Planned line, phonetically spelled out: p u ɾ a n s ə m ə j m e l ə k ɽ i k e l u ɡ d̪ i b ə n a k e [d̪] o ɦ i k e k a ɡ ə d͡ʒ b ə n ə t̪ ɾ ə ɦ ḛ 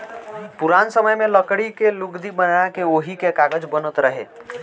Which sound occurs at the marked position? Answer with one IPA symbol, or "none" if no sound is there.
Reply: none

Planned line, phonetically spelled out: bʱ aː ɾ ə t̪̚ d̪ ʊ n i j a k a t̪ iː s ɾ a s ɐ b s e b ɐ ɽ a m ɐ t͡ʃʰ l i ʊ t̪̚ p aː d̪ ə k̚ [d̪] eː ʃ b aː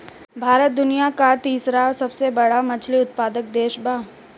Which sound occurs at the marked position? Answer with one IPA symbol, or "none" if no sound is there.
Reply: d̪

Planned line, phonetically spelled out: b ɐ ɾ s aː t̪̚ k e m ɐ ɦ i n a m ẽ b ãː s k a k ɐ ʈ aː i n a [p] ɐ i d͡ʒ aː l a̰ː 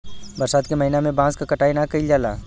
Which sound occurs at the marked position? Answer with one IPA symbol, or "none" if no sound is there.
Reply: k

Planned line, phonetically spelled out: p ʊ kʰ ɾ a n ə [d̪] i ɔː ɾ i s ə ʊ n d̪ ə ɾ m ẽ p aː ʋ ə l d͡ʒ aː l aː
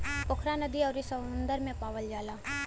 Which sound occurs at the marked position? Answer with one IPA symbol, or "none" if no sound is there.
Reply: d̪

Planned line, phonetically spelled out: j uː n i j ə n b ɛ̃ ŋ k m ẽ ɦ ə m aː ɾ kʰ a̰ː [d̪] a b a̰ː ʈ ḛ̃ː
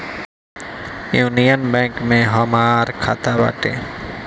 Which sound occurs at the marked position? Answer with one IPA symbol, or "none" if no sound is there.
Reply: t̪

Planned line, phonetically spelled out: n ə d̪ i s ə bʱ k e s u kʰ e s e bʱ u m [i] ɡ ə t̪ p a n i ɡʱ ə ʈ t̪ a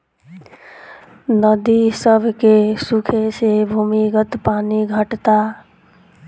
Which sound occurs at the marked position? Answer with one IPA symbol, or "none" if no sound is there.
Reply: i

